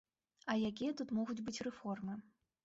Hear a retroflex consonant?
no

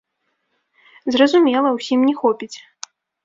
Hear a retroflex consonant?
no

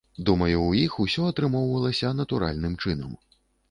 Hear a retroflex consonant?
yes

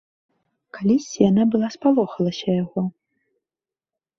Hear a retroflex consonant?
no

